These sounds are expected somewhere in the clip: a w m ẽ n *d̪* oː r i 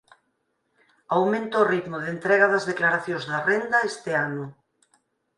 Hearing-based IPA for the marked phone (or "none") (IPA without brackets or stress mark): t̪